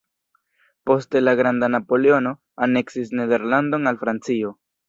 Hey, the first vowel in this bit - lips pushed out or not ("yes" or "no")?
yes